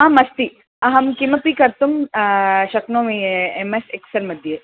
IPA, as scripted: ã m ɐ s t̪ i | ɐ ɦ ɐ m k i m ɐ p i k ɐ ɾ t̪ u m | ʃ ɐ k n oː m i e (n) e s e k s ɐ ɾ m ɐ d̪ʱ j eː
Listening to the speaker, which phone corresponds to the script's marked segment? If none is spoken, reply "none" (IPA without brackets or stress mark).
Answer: m